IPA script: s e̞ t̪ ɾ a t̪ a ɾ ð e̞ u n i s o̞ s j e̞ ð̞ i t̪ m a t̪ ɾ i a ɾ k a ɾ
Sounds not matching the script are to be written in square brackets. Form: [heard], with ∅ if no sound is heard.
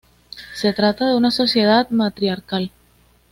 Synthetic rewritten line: s e̞ t̪ ɾ a t̪ a [∅] ð e̞ u n [a] s o̞ s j e̞ ð̞ [a] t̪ m a t̪ ɾ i a ɾ k a [l]